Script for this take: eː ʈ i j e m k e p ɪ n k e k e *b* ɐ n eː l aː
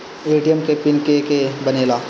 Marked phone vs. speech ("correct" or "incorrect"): correct